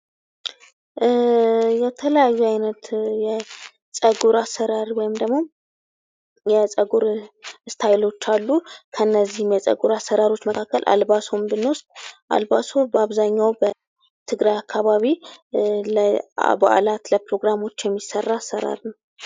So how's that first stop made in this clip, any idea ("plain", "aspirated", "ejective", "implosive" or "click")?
aspirated